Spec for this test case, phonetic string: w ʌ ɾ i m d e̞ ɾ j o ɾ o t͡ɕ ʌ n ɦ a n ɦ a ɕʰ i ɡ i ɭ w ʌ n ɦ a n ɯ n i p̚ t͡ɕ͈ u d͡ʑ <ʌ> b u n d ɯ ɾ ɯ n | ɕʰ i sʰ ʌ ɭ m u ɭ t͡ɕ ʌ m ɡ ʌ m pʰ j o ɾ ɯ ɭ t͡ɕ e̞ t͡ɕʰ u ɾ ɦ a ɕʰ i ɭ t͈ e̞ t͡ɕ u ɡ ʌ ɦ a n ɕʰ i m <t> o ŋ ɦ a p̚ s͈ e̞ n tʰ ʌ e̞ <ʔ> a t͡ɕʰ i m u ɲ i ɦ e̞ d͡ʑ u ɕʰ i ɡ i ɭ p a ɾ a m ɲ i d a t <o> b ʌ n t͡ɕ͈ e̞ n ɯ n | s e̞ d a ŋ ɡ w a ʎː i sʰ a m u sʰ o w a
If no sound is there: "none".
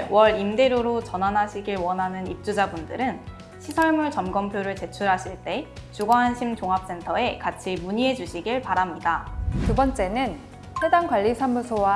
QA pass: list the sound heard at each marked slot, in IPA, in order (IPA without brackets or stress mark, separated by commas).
a, t͡ɕ, k, u